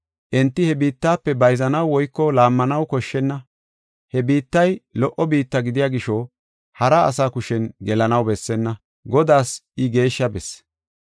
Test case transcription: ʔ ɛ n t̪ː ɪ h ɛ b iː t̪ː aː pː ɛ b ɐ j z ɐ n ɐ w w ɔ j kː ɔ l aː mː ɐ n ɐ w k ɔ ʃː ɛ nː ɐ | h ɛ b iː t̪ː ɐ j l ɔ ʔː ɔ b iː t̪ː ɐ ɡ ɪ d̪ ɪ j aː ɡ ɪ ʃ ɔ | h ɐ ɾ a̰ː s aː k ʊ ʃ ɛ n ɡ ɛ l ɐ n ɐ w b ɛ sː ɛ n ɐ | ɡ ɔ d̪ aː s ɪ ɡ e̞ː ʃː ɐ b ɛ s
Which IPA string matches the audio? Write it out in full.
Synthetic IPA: ʔ ɛ n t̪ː ɪ h ɛ b iː t̪ː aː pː ɛ b ɐ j z ɐ n ɐ w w ɔ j kː ɔ l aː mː ɐ n ɐ w k ɔ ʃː ɛ nː ɐ | h ɛ b iː t̪ː ɐ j l ɔ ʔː ɔ b iː t̪ː ɐ ɡ ɪ d̪ ɪ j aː ɡ ɪ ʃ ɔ | h ɐ ɾ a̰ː s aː k ʊ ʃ ɛ n ɡ ɛ l ɐ n ɐ w b ɛ sː ɛ nː ɐ | ɡ ɔ d̪ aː s ɪ ɡ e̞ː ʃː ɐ b ɛ s